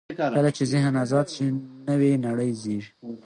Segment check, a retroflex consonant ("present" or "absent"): present